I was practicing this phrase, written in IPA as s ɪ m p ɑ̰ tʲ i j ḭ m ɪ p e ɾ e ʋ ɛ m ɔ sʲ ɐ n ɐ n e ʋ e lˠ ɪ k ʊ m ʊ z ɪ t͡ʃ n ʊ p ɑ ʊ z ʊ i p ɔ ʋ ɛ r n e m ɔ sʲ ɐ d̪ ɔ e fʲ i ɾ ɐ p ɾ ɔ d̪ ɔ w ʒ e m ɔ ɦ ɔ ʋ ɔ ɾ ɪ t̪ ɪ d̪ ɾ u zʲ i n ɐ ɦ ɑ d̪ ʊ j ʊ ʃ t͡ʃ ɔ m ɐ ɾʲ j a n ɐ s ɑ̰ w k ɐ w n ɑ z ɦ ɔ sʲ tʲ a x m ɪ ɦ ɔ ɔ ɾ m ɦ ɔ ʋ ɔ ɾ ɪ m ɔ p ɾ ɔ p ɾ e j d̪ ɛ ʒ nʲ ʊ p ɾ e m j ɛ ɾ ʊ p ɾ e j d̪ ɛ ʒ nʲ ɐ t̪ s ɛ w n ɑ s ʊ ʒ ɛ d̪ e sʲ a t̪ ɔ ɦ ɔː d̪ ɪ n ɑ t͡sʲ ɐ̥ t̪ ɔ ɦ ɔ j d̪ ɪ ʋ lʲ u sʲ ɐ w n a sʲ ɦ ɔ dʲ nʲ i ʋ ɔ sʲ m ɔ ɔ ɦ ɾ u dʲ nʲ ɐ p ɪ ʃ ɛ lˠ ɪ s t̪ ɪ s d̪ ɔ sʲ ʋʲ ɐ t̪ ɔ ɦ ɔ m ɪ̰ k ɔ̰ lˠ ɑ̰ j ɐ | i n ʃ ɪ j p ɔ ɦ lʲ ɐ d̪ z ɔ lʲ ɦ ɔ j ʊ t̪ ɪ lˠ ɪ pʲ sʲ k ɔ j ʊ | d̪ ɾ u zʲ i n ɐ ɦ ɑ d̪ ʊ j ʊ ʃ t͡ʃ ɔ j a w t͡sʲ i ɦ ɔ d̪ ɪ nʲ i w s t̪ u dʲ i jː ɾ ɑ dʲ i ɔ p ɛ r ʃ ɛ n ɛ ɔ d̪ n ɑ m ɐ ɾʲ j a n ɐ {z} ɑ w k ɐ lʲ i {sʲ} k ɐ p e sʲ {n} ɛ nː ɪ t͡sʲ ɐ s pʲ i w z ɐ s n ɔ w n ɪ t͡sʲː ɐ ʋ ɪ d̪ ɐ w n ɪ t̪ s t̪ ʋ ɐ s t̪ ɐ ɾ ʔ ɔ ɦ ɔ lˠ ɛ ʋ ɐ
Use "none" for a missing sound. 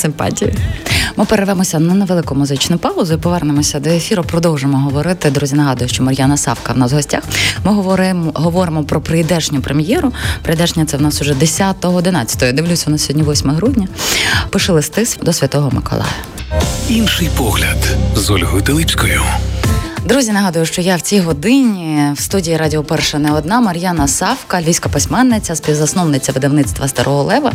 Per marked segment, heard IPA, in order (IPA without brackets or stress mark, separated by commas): s, sʲ, m